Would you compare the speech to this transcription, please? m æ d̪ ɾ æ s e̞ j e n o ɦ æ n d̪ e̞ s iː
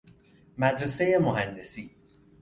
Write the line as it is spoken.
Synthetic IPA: m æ d̪ ɾ e s e̞ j e m o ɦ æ n d̪ e̞ s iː